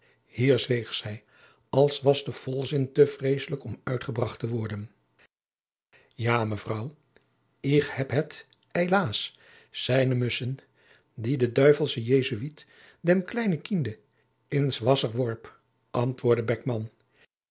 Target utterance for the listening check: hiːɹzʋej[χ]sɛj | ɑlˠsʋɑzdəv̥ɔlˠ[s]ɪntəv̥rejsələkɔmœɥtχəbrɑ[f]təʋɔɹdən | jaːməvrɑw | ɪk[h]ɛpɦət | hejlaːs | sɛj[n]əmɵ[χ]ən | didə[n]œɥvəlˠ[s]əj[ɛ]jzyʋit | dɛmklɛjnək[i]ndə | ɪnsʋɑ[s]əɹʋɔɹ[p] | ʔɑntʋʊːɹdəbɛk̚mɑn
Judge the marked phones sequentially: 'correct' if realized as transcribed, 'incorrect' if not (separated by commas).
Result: correct, incorrect, incorrect, correct, correct, incorrect, incorrect, correct, incorrect, correct, correct, correct